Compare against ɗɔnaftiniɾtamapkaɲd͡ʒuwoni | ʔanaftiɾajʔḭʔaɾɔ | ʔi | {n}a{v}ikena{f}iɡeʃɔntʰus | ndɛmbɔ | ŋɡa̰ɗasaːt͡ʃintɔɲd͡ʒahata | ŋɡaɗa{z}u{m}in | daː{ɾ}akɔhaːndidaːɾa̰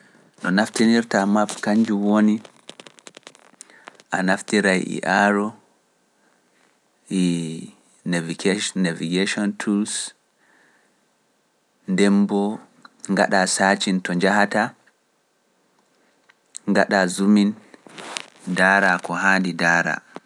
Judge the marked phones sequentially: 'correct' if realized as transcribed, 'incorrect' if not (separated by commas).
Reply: correct, correct, incorrect, correct, correct, correct